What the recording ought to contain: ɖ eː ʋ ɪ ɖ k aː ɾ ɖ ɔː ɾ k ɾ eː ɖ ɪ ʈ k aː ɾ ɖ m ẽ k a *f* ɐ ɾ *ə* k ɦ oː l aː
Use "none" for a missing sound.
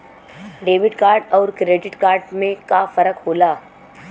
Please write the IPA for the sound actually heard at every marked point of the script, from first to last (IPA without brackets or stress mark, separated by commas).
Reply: f, ə